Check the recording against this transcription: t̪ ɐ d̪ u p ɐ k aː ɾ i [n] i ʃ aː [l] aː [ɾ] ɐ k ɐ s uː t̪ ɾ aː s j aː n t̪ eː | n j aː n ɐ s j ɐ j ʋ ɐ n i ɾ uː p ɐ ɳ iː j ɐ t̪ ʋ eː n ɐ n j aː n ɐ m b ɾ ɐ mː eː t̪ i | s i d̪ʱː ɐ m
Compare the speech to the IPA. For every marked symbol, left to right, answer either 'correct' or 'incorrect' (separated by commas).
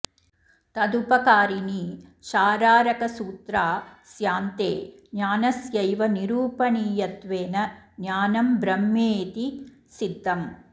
correct, incorrect, correct